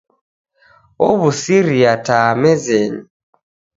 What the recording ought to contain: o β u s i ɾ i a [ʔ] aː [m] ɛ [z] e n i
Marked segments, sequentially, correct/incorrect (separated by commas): incorrect, correct, correct